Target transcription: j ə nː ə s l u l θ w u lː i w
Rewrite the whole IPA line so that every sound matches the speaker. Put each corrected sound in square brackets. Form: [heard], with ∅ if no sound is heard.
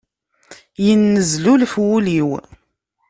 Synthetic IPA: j ə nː ə [z] l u l [f] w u [l] i w